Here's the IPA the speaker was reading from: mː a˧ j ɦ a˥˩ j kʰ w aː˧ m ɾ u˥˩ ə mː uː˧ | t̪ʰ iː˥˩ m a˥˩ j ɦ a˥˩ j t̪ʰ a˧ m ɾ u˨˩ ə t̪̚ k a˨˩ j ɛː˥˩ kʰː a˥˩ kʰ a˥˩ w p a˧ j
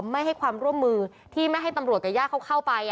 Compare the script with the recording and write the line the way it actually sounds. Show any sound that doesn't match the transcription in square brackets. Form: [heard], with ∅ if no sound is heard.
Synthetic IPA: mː [a˥˩] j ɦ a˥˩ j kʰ w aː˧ m ɾ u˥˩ ə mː [ɯː˧] | t̪ʰ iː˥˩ m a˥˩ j ɦ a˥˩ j [t̪] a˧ m ɾ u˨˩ ə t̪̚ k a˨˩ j [aː˥˩] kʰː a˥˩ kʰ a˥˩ w p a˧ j